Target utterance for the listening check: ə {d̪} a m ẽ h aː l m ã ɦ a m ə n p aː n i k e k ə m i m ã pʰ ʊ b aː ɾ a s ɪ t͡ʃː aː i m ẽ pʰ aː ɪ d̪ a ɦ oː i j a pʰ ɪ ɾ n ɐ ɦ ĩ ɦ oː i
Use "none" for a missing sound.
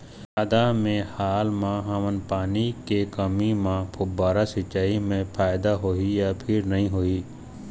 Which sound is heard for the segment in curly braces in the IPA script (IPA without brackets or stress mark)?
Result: d̪